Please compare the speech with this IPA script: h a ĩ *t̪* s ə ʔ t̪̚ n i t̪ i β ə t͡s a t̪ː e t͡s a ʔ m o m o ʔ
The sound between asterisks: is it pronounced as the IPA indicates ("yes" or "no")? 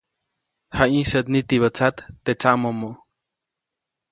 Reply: no